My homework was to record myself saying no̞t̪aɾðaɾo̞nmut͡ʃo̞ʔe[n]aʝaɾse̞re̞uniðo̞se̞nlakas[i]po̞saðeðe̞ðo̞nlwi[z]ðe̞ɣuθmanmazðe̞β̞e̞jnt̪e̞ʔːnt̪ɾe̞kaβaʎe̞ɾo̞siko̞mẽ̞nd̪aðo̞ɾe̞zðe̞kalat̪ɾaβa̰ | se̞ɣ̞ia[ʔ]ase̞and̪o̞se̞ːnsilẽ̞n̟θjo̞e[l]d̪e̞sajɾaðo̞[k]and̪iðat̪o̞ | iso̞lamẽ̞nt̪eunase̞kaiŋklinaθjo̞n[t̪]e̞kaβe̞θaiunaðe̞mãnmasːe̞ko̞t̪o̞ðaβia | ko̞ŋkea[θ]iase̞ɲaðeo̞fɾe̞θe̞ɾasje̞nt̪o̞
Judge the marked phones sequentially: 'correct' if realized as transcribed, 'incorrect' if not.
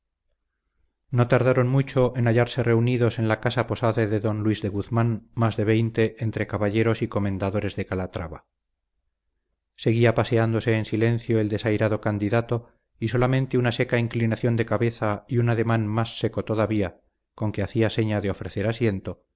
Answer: correct, incorrect: a, correct, incorrect: p, correct, correct, incorrect: d̪, correct

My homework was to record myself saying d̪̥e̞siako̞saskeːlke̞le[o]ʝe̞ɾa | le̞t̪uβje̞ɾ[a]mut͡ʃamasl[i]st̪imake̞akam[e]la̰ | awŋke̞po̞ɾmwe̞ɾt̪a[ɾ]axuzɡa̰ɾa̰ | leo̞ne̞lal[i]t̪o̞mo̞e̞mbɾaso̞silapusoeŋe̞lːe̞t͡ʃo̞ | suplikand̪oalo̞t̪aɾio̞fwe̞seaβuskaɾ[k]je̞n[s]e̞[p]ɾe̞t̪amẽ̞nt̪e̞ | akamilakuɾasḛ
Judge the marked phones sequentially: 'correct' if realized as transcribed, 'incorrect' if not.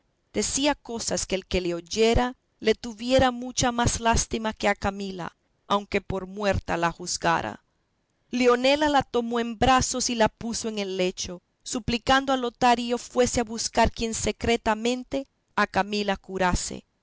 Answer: correct, correct, incorrect: a, incorrect: i, incorrect: l, incorrect: a, correct, correct, incorrect: k

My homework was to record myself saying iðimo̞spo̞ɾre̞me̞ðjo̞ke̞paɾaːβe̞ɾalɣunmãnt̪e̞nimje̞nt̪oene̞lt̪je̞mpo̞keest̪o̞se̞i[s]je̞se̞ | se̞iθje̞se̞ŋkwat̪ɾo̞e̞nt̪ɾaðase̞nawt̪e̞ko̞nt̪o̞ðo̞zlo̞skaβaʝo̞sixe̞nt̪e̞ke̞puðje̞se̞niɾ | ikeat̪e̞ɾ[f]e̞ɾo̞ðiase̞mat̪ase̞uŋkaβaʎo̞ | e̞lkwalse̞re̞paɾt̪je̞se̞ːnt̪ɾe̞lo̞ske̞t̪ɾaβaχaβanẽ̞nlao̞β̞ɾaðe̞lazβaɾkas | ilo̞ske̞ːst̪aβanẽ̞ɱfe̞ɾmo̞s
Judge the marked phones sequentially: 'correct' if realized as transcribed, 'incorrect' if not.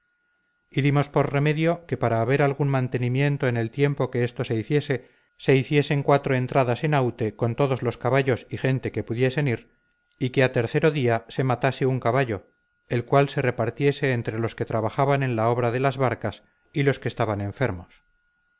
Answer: incorrect: θ, incorrect: θ

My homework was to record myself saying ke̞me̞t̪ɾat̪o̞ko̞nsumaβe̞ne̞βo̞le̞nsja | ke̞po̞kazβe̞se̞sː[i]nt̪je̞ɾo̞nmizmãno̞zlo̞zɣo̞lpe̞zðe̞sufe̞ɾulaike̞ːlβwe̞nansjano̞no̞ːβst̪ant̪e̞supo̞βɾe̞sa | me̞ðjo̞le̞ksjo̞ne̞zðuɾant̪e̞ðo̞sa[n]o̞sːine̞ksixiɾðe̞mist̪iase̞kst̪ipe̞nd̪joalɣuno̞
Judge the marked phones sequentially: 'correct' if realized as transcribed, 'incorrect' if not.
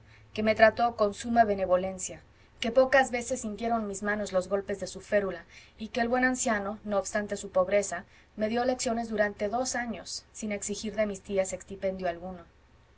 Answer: correct, incorrect: ɲ

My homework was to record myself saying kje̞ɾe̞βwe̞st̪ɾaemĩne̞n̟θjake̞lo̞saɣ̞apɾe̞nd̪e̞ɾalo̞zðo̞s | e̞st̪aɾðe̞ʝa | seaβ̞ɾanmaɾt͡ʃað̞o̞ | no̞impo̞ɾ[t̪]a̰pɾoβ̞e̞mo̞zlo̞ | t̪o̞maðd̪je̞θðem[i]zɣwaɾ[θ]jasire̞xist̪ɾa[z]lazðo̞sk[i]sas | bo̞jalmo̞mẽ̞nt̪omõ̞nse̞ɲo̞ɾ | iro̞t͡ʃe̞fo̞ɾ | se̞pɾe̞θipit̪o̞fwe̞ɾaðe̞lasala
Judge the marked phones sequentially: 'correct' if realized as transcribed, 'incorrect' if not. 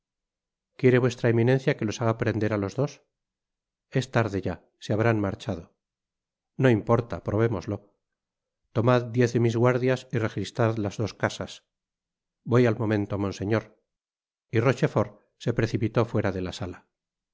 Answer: correct, correct, incorrect: ð, incorrect: ð, incorrect: a

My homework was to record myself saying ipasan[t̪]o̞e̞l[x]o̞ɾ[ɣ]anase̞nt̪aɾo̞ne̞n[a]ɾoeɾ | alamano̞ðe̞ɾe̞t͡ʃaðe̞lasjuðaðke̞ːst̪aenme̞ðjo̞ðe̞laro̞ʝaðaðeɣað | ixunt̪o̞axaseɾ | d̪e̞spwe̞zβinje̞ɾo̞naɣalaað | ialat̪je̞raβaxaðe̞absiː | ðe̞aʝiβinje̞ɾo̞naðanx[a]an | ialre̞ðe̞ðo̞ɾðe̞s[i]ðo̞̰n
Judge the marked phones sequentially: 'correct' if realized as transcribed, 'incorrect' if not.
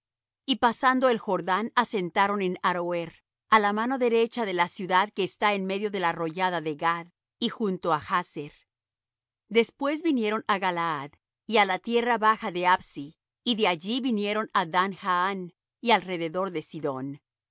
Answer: incorrect: d̪, correct, incorrect: ð, correct, correct, correct

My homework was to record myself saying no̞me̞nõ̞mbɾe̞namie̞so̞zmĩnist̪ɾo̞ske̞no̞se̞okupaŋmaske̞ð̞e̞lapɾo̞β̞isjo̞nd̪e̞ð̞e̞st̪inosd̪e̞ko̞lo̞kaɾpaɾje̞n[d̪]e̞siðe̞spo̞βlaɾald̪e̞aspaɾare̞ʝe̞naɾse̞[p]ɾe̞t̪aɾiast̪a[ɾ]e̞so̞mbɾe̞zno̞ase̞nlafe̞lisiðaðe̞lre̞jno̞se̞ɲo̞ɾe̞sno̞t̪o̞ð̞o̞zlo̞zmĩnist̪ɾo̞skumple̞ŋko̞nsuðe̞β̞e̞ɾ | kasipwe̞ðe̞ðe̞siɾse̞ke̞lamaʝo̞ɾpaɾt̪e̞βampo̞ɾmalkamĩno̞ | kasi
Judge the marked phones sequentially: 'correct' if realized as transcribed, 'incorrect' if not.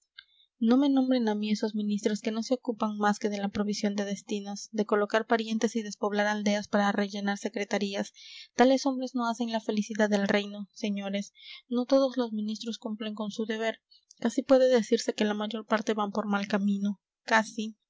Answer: incorrect: t̪, incorrect: k, incorrect: l

